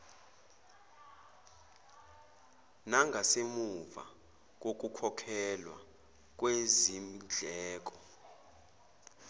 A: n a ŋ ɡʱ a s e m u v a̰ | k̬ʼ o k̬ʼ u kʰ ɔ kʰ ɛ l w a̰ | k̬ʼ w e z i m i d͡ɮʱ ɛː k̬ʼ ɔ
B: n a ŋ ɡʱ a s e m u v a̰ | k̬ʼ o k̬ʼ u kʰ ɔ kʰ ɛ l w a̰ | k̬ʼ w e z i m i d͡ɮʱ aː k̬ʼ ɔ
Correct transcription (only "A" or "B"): A